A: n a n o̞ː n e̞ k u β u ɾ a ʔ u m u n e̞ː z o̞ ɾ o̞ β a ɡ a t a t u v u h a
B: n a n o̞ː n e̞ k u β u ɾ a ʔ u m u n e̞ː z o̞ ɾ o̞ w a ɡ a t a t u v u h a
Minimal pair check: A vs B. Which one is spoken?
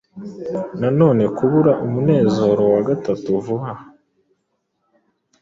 B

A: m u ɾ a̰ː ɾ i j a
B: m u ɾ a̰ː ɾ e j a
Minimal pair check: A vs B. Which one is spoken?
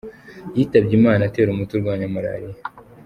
A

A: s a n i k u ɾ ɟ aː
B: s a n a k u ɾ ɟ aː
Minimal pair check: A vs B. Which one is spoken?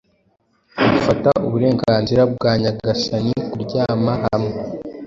A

